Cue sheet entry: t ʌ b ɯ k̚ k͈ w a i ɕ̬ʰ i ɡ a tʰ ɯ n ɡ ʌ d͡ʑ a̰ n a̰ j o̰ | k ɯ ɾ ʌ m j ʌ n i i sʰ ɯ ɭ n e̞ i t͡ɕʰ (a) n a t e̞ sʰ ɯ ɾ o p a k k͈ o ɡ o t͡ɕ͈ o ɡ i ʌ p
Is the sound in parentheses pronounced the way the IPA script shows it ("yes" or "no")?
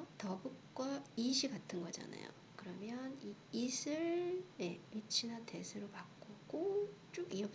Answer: no